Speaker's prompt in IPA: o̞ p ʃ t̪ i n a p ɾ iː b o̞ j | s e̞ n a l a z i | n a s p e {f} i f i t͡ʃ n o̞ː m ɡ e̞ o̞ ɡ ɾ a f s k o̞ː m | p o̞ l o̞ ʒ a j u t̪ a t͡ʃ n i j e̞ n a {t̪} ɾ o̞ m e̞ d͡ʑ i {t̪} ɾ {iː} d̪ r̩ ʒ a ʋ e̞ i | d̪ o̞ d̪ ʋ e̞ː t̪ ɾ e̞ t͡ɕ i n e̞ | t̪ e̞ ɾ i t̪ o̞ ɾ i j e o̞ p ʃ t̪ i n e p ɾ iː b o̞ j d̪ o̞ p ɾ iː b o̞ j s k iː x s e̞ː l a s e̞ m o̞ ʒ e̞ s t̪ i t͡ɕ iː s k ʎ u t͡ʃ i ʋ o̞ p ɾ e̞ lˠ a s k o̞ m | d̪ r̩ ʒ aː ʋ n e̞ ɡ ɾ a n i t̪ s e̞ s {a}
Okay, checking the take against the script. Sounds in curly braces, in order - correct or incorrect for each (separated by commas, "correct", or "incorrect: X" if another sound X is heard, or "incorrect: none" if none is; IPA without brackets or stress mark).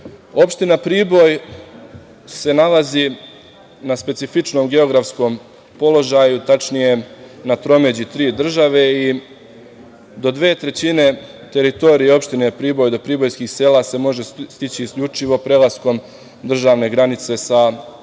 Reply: incorrect: s, correct, correct, correct, correct